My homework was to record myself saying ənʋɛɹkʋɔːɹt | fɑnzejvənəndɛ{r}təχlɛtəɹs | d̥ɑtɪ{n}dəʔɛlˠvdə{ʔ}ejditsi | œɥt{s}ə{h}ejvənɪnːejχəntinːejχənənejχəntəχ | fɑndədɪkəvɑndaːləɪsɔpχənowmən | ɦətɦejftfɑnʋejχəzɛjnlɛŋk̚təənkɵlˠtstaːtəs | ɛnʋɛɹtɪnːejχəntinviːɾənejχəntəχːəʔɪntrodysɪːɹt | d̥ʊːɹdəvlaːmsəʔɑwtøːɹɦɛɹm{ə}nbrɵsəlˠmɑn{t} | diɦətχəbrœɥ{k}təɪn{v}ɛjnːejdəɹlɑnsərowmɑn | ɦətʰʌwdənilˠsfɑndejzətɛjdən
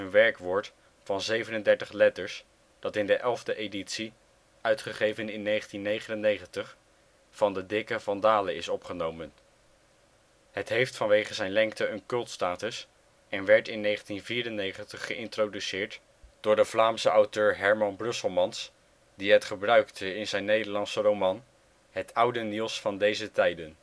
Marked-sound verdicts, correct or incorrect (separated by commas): incorrect, correct, correct, incorrect, incorrect, incorrect, incorrect, correct, incorrect